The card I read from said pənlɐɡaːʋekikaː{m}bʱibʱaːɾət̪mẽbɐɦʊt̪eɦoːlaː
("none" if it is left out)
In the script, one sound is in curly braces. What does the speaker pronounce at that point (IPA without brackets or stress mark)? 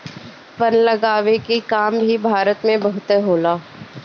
m